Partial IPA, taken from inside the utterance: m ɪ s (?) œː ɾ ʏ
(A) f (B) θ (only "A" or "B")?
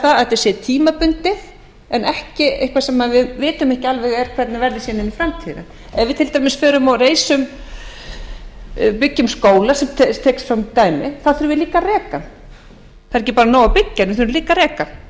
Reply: A